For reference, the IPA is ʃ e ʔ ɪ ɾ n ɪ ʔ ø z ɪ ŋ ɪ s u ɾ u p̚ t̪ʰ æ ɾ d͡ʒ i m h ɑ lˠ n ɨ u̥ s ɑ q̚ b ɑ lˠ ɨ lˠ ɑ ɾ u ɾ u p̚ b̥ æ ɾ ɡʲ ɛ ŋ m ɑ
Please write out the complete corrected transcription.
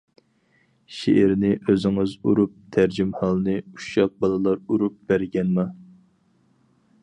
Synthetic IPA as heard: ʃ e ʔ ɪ ɾ n ɪ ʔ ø z ɪ ŋ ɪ z u ɾ u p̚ t̪ʰ æ ɾ d͡ʒ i m h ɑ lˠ n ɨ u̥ ʃ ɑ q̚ b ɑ lˠ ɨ lˠ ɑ ɾ u ɾ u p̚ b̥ æ ɾ ɡʲ ɛ n m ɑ